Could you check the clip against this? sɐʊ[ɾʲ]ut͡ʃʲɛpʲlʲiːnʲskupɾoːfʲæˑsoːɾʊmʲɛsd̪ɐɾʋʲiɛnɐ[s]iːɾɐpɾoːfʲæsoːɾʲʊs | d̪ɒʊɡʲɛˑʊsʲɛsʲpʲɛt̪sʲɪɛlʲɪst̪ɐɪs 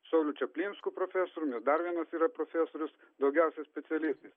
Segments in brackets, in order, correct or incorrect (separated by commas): incorrect, correct